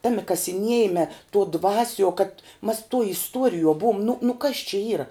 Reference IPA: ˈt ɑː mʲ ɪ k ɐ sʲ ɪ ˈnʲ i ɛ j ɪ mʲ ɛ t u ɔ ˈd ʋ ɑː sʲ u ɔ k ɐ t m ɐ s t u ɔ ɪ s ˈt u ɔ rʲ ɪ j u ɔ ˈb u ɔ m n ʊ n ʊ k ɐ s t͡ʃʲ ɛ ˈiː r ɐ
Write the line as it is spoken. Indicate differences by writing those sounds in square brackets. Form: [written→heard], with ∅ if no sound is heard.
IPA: ˈt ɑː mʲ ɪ k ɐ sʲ ɪ ˈnʲ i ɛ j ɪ mʲ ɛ t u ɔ ˈd ʋ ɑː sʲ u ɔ k ɐ t m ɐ s t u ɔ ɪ s ˈt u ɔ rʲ ɪ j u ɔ ˈb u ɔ m n ʊ n ʊ k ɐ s t͡ʃʲ ɛ ˈiː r ɐ